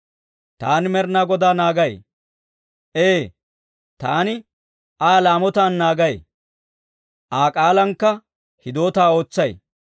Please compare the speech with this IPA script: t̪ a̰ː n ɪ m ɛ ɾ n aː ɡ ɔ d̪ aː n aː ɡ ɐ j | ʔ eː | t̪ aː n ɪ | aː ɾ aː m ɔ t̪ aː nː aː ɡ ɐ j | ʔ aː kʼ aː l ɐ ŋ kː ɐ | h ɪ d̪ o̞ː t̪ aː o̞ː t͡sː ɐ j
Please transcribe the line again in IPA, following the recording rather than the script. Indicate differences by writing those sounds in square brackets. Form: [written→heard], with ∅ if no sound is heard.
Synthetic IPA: t̪ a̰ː n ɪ m ɛ ɾ n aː ɡ ɔ d̪ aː n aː ɡ ɐ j | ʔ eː | t̪ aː n ɪ | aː [ɾ→l] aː m ɔ t̪ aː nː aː ɡ ɐ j | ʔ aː kʼ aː l ɐ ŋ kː ɐ | h ɪ d̪ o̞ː t̪ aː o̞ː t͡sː ɐ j